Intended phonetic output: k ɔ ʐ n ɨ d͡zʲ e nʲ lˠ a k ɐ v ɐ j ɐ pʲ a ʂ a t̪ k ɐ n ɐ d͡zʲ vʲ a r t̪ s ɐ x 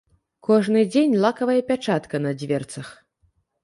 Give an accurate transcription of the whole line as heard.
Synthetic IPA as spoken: k ɔ ʐ n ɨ d͡zʲ e nʲ lˠ a k ɐ v ɐ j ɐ pʲ a t͡ʂ a t̪ k ɐ n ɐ d͡zʲ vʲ ɛ r t̪ s ɐ x